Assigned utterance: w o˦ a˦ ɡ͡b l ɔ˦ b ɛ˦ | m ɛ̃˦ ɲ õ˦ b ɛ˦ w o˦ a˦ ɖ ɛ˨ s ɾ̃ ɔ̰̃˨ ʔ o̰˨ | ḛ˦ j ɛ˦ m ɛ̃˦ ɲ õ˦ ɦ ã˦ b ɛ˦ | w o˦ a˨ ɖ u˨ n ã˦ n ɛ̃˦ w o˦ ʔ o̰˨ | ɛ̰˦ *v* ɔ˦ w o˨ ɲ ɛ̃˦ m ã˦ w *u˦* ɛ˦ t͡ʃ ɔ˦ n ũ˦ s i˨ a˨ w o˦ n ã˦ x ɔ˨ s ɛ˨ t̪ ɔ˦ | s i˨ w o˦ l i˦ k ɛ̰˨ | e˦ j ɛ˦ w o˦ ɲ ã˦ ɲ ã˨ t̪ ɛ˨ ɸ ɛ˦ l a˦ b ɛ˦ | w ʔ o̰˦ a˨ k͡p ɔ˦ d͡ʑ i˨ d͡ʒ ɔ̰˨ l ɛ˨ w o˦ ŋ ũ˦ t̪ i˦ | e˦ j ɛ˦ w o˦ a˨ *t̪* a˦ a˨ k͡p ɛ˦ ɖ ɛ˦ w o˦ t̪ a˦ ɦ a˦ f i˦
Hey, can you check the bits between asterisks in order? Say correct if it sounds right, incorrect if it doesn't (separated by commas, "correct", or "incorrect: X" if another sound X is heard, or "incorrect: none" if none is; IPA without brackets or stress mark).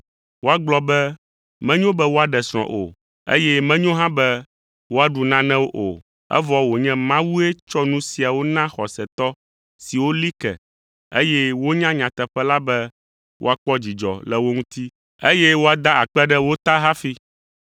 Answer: correct, correct, incorrect: d̪